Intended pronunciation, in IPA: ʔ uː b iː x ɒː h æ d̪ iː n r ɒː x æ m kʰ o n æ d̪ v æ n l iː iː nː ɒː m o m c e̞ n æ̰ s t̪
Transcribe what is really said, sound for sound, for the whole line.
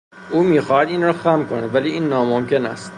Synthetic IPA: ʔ uː m iː x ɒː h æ d̪ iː n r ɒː x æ m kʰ o n æ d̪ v æ l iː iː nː ɒː m o m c e̞ n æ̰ s t̪